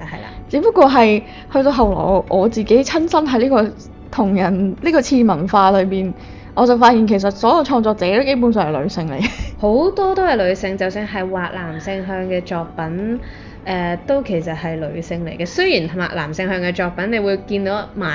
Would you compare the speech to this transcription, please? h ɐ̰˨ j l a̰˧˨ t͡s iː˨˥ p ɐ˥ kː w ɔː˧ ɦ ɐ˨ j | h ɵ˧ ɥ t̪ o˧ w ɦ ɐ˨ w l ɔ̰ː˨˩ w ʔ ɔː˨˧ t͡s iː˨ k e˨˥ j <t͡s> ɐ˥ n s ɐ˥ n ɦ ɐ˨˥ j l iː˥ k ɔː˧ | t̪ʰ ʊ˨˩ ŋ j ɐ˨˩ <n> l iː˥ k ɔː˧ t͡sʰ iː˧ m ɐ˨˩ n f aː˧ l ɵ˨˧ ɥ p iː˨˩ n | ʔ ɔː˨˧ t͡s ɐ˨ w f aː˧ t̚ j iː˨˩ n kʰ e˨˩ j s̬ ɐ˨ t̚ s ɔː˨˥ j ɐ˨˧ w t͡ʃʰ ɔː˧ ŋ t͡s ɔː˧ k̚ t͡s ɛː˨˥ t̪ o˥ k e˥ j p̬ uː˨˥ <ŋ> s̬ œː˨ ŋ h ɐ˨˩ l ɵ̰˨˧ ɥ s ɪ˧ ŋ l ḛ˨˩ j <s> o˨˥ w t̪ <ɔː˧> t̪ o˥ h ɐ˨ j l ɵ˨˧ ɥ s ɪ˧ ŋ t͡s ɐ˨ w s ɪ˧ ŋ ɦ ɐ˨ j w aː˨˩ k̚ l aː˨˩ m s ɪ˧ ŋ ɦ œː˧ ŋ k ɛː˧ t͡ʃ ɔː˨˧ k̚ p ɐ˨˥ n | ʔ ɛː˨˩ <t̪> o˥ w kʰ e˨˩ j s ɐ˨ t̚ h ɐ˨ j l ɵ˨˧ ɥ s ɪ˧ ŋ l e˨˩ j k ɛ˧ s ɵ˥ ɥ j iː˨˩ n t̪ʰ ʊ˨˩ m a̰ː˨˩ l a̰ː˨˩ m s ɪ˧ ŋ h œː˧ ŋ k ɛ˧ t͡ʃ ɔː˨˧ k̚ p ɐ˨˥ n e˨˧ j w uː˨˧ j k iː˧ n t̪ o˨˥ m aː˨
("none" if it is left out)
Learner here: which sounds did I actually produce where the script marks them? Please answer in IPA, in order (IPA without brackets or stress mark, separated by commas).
t͡sʰ, n, n, h, ɔː˥, t̪